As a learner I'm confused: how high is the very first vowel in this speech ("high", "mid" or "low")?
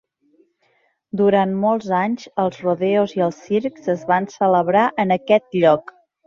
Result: high